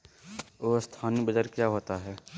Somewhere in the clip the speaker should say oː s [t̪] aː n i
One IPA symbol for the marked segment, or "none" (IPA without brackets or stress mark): t̪ʰ